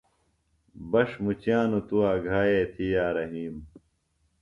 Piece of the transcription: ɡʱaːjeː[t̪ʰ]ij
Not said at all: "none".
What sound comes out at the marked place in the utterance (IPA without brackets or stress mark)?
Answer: t̪ʰ